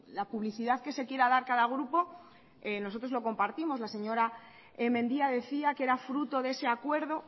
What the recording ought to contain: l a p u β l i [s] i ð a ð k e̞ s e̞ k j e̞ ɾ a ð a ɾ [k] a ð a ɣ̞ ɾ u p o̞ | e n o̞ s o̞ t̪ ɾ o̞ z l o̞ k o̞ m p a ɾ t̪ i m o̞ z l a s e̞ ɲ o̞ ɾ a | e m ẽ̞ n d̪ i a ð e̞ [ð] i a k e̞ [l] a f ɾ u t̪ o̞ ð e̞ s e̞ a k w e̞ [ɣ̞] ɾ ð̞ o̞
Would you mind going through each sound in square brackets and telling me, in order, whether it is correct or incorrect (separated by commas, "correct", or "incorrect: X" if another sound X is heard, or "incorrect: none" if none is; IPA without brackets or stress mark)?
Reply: incorrect: θ, correct, incorrect: θ, incorrect: ɾ, incorrect: none